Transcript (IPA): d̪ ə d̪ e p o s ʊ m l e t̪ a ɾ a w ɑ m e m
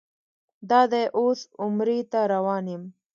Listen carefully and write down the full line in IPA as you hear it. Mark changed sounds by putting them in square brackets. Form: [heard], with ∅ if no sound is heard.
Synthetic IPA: d̪ [ɑ] d̪ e [ʔ] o s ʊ m [ɾ] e t̪ a ɾ a w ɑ [n] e m